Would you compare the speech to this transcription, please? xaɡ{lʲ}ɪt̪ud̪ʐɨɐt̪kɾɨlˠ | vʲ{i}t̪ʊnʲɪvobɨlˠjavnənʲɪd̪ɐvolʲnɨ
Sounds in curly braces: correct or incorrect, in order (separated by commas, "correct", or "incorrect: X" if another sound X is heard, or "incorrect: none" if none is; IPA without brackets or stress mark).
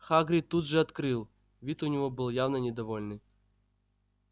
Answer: incorrect: ɾʲ, correct